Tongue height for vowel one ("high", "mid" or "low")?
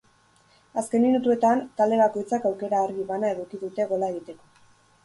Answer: low